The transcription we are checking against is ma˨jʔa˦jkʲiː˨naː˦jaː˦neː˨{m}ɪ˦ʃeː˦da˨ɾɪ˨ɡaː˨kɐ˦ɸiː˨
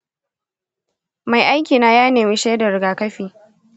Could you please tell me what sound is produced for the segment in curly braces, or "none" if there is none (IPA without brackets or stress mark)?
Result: m